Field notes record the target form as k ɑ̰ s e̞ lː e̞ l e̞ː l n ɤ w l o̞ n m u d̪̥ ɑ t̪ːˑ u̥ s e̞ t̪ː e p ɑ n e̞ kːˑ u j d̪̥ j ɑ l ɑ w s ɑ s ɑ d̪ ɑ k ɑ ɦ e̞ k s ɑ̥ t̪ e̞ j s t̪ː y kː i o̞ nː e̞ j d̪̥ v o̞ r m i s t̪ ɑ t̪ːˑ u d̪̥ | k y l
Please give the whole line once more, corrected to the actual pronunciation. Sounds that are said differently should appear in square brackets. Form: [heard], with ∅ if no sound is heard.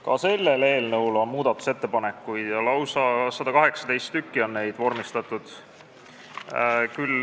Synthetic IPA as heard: k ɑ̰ s e̞ lː e̞ l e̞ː l n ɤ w l o̞ n m [uː] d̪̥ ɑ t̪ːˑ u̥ s e̞ t̪ː e p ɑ n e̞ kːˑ u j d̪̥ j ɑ l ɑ w s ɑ s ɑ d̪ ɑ k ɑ ɦ e̞ k s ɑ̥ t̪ e̞ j s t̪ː y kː i o̞ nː e̞ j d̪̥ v o̞ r m i s t̪ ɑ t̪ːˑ u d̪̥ | k y l